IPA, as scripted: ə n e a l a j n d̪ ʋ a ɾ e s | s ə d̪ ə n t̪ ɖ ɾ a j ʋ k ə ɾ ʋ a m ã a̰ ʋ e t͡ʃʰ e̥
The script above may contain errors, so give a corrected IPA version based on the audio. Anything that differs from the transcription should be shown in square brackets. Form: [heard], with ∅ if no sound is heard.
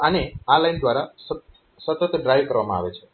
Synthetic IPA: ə n e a l a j n d̪ ʋ a ɾ [a] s | s ə [t̪] ə [∅] t̪ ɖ ɾ a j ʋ k ə ɾ ʋ a m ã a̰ ʋ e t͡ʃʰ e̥